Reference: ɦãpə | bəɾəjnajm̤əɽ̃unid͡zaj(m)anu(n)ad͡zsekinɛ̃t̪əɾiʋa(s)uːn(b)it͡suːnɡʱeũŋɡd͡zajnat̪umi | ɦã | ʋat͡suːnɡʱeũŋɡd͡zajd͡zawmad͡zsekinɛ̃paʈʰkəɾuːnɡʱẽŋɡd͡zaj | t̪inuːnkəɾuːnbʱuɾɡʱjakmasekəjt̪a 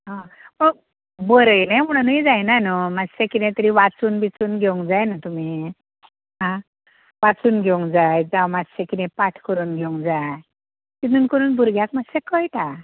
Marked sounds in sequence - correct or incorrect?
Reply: incorrect, incorrect, incorrect, correct

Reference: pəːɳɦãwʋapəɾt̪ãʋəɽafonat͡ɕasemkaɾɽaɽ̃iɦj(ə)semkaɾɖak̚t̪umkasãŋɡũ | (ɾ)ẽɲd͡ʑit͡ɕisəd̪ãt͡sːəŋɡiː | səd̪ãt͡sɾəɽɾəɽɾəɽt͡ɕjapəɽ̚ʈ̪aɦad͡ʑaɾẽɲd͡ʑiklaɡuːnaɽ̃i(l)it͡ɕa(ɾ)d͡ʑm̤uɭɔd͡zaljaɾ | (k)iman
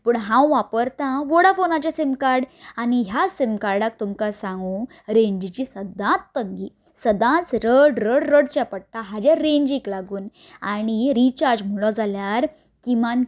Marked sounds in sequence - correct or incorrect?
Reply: incorrect, correct, incorrect, correct, correct

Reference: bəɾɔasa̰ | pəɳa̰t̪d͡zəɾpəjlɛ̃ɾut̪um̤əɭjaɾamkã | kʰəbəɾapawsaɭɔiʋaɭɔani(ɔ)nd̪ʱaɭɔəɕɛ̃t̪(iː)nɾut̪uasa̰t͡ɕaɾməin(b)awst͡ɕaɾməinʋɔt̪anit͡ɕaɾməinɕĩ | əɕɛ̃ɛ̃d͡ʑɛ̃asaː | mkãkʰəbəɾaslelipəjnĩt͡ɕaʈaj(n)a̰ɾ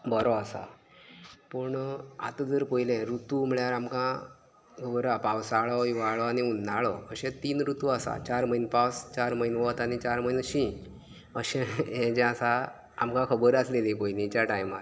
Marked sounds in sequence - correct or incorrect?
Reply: incorrect, correct, incorrect, incorrect

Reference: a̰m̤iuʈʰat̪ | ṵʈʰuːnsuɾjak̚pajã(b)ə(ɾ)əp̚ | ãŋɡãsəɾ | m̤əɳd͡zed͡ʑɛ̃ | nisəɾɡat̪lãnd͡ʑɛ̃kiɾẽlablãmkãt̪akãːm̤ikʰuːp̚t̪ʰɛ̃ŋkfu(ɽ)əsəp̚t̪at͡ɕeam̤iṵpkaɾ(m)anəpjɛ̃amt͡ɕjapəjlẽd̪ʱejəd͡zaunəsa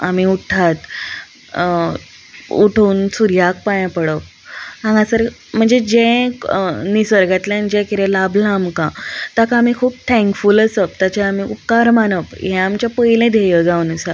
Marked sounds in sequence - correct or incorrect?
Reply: incorrect, incorrect, incorrect, correct

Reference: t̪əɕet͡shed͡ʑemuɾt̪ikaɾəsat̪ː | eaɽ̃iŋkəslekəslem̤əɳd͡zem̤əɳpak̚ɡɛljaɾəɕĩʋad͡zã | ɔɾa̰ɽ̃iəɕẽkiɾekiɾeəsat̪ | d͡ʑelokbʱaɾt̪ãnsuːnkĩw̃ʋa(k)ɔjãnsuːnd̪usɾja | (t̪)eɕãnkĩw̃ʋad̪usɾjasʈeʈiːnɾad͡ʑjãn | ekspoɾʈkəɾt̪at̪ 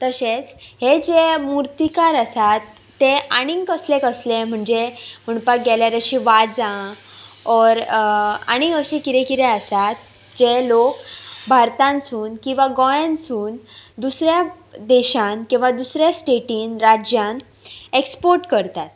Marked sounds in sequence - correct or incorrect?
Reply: incorrect, incorrect

